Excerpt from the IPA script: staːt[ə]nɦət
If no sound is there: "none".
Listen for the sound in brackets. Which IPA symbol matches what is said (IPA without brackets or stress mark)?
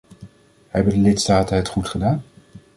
ə